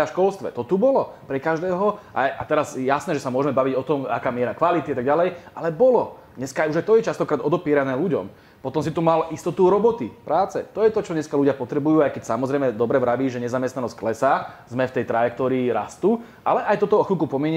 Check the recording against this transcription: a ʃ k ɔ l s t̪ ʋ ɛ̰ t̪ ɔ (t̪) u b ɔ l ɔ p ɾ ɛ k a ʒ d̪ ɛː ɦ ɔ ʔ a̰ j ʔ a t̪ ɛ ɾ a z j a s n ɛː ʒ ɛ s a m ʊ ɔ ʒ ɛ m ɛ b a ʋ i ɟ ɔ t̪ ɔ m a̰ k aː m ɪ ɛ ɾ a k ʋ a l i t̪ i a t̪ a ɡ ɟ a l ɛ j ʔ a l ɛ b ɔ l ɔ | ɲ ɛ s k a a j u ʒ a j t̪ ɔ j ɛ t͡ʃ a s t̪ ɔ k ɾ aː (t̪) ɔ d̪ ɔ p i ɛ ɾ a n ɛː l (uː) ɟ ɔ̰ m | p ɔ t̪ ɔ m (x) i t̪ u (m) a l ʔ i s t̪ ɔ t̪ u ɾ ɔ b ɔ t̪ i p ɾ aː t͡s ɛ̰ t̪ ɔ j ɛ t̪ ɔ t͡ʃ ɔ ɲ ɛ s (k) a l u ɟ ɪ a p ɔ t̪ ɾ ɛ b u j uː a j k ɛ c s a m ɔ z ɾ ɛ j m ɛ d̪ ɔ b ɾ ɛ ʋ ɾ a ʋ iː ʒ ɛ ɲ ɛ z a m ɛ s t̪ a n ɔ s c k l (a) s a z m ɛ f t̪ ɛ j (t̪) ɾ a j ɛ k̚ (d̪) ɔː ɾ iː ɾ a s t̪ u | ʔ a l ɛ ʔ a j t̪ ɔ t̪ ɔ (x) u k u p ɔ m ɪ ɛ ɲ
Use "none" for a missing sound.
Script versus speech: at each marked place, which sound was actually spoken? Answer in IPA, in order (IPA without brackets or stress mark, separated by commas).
t̪, d̪, u, s, m, k, ɛ, t̪, t̪, x